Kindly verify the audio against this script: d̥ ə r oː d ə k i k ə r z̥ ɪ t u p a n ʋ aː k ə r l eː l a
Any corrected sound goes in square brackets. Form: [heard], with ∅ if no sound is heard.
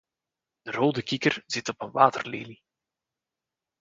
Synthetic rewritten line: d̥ ə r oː d ə k i k ə r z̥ ɪ t [ɔ] p [ə] n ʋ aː [t] ə r l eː l [i]